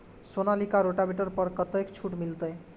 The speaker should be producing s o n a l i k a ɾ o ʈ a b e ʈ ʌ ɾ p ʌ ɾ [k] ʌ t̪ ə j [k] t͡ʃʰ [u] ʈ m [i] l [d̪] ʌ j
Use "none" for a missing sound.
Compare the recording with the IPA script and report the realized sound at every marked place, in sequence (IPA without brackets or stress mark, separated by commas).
k, k, u, i, t̪